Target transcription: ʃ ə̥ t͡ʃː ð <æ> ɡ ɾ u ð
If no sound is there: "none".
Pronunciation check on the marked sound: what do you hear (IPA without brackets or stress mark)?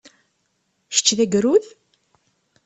æ